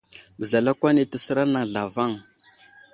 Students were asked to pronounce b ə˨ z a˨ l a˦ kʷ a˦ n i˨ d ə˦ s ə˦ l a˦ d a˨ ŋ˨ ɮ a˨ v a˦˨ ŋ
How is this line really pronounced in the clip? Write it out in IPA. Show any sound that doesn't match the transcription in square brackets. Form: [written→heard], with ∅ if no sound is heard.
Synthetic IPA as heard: b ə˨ z a˨ l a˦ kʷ a˦ n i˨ [d→t] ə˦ s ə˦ [l→ɾ] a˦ [d→n] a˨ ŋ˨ ɮ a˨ v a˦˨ ŋ

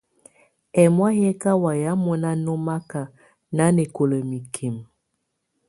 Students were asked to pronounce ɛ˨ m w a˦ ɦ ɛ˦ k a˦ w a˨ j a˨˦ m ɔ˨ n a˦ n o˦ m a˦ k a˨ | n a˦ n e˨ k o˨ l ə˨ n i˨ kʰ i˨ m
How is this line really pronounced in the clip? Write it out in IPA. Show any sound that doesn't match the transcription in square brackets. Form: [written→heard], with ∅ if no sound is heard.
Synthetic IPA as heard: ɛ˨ m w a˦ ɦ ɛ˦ k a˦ w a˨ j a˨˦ m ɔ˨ n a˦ n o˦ m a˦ k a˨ | n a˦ n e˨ k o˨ l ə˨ [n→m] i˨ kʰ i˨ m

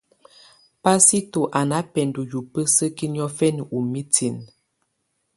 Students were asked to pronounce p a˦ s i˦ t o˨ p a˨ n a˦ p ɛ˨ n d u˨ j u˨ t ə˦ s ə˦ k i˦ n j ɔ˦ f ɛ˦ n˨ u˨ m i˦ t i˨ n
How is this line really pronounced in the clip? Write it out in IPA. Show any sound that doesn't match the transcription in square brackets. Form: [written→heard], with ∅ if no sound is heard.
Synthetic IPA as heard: p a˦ s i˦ t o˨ [p→ʔ] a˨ n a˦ p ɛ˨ n d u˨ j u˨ [t→p] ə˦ s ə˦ k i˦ n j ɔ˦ f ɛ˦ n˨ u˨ m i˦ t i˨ n

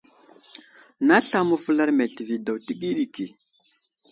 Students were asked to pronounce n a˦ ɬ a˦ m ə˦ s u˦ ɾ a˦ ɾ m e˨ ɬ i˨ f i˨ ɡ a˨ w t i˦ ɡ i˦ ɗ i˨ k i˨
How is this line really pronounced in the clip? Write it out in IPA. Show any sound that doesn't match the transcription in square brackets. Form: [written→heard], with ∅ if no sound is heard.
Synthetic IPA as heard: n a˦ ɬ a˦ m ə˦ [s→f] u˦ [ɾ→l] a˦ ɾ m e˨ ɬ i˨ [f→v] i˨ [ɡ→d] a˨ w t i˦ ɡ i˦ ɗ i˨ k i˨

